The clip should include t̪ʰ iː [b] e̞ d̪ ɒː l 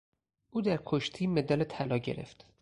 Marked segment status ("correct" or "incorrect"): incorrect